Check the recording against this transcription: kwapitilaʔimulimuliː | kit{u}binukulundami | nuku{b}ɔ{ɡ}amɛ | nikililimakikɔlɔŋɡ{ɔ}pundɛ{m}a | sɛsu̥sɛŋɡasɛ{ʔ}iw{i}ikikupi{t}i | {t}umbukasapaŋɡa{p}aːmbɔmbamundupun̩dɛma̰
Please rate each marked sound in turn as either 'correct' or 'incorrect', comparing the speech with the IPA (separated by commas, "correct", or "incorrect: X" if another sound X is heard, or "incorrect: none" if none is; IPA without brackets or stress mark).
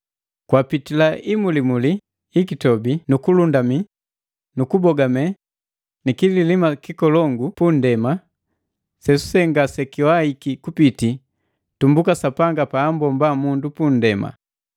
incorrect: ɔ, correct, correct, incorrect: u, correct, incorrect: k, incorrect: a, correct, correct, correct